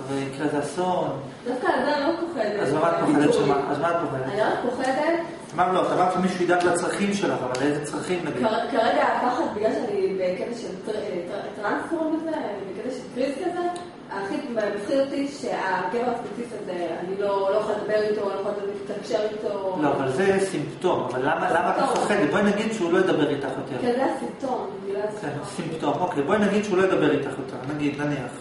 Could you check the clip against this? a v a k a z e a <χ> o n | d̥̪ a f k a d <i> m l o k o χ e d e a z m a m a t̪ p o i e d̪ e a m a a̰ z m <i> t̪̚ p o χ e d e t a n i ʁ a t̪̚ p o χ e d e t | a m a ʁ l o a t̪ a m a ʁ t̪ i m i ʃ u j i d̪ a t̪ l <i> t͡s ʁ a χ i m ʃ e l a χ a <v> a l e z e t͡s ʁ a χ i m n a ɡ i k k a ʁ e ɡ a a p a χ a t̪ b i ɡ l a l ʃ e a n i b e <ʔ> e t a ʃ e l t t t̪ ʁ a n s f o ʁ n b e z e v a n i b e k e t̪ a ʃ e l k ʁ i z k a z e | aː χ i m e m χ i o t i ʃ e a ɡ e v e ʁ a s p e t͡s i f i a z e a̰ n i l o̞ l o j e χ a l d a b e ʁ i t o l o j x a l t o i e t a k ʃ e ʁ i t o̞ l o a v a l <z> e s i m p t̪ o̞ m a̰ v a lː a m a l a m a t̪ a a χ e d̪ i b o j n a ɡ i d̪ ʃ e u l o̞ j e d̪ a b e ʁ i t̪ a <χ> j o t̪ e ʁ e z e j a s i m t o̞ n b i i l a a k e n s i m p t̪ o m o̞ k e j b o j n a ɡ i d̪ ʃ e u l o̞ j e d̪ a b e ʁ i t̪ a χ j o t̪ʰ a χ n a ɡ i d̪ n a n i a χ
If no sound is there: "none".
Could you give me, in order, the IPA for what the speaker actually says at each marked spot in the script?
s, a, a, a, v, k, z, χ

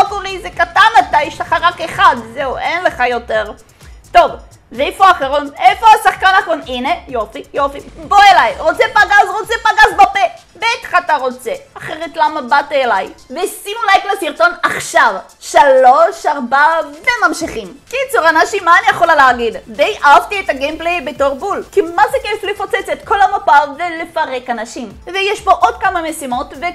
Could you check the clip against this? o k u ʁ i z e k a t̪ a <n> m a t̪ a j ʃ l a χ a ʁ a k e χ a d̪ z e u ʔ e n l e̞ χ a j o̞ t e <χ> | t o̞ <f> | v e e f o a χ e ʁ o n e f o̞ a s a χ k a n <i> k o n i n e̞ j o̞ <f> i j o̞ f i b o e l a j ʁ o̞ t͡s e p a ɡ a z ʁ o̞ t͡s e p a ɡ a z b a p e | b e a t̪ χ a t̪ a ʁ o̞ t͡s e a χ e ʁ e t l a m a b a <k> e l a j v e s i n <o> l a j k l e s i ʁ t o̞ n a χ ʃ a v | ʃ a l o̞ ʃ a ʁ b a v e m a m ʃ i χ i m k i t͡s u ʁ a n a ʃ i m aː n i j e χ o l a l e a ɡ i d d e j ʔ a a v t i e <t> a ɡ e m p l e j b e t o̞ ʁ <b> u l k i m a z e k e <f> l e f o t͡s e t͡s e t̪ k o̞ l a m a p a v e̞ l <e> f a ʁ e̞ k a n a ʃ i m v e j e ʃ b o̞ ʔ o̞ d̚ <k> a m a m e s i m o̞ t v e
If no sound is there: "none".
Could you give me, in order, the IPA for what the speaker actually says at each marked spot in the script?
n, ʁ, v, a, f, t, u, t, b, f, e, k

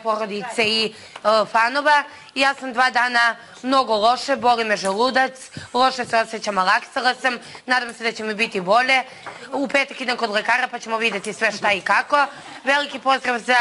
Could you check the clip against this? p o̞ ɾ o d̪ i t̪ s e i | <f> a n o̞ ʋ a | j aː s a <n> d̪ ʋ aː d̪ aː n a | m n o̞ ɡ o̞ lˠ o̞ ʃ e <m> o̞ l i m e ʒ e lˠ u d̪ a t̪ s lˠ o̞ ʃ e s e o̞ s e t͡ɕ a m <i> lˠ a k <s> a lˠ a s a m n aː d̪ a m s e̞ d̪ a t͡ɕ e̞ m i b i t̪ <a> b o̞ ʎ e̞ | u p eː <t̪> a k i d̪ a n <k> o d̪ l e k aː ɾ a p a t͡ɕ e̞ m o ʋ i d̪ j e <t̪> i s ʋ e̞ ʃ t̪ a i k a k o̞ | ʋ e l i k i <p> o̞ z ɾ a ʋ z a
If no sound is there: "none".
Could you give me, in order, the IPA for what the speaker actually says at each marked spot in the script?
f, m, b, a, s, i, t̪, k, t̪, p

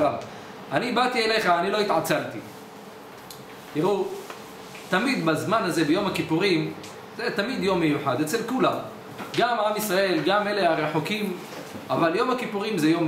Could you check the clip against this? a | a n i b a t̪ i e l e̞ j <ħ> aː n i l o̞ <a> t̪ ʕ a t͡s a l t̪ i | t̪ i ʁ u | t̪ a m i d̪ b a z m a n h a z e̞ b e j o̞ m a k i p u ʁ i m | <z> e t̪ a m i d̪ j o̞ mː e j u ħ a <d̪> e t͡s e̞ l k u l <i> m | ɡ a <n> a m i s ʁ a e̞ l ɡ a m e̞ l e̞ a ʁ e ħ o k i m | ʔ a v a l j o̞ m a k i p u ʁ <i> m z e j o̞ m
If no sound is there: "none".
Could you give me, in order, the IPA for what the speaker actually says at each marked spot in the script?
χ, i, z, d̪, a, m, i

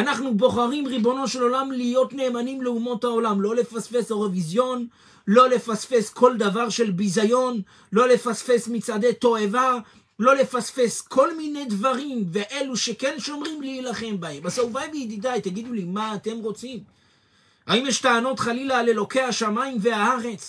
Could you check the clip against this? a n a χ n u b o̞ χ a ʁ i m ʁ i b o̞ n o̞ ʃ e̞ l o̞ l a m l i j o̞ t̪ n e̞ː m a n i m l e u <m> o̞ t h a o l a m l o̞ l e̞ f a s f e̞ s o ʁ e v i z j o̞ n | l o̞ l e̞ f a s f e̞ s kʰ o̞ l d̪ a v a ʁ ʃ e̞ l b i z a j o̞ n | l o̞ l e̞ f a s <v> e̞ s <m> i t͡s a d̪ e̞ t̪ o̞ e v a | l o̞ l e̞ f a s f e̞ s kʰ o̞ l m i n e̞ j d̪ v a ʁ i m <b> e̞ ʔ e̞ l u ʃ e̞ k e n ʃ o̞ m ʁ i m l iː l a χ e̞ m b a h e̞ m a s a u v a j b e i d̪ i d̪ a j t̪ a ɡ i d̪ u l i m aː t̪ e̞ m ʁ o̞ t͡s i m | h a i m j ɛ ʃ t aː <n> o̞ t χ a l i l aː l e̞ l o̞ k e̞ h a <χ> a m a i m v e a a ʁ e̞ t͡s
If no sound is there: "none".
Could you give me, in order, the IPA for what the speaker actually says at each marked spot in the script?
m, f, m, v, n, ʃ

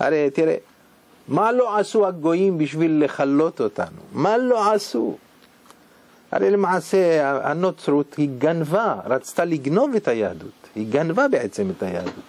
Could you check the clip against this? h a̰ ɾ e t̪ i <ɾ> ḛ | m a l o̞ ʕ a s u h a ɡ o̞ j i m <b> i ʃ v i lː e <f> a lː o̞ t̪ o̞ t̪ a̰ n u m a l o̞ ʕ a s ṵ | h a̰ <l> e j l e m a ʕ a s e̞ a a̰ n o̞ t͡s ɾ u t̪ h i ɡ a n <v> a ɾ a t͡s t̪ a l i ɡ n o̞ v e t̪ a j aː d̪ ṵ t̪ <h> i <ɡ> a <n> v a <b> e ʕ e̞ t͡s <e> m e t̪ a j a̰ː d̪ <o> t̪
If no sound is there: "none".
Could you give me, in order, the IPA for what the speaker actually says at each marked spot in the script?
ɾ, b, χ, ɾ, v, h, ɡ, n, b, e, u

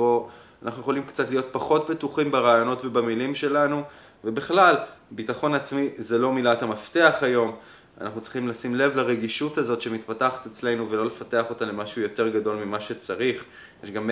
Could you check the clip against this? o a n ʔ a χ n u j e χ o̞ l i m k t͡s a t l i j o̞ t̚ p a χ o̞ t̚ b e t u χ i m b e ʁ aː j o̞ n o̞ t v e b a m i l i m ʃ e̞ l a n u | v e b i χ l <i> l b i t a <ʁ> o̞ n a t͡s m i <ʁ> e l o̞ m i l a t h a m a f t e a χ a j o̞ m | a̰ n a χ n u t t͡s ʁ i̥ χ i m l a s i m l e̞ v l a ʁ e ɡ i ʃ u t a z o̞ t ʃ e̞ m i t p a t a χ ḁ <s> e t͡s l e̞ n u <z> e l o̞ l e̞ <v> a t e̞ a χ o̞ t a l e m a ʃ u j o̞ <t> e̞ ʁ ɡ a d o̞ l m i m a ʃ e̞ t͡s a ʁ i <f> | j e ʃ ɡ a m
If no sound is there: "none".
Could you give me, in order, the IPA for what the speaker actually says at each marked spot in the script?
a, χ, z, t, v, f, t, χ

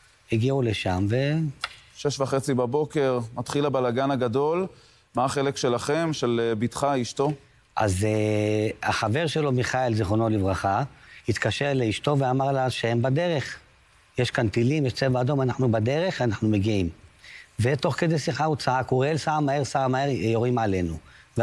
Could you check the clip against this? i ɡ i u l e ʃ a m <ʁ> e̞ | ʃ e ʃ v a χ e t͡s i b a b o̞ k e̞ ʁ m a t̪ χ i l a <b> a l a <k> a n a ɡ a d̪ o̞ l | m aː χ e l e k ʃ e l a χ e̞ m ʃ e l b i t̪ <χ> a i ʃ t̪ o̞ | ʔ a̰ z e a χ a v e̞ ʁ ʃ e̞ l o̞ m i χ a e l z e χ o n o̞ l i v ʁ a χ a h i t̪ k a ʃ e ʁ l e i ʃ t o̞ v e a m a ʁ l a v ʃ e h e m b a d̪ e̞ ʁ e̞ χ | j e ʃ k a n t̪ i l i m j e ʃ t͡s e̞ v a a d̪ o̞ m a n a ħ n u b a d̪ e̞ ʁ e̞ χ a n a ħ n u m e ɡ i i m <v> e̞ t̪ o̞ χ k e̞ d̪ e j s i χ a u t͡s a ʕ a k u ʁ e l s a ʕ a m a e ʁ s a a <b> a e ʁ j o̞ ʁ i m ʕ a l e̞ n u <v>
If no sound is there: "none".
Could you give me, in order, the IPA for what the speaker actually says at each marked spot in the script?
v, b, ɡ, χ, v, m, v

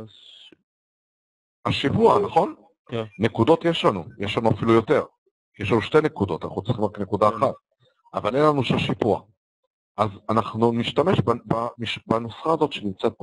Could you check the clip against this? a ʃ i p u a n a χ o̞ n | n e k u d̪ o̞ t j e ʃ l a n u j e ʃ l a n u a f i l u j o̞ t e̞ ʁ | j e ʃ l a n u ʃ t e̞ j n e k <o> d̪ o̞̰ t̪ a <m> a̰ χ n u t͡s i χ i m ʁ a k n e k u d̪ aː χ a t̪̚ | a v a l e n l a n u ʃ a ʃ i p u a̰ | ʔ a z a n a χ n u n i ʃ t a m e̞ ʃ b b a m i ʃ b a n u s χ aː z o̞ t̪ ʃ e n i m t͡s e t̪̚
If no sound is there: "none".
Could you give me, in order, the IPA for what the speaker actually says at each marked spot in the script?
u, n

